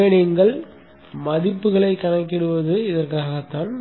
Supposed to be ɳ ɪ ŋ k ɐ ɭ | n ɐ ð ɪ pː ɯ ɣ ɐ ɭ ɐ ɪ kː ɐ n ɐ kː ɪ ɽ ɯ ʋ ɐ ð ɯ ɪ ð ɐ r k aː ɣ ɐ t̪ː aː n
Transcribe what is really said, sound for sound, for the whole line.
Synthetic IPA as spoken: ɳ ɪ ŋ ɡ ɐ ɭ | m ɐ ð ɪ pː ɯ ɣ ɐ ɭ ɐ ɪ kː ɐ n ɐ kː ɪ ɽ ɯ ʋ ɐ ð ɯ ɪ ð ɐ r k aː ɣ ɐ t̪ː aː n